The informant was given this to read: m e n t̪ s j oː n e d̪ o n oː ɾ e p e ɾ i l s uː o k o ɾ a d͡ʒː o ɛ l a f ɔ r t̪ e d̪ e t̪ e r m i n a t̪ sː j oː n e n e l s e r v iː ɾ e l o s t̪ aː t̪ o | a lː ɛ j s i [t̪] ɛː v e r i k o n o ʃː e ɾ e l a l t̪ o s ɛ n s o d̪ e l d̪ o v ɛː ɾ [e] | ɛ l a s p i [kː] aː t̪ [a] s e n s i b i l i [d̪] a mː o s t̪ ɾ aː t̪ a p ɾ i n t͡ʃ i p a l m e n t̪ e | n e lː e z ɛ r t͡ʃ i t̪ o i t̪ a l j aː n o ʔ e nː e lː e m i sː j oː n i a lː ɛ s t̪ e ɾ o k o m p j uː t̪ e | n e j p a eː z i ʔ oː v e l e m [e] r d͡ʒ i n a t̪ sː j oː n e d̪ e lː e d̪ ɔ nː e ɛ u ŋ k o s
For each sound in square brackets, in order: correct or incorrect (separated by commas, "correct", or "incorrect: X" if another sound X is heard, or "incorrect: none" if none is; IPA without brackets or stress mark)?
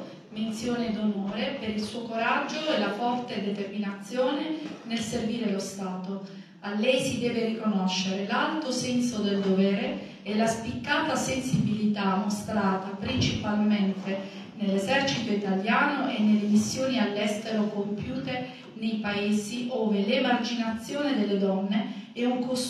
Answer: incorrect: d̪, correct, correct, correct, incorrect: t̪, incorrect: a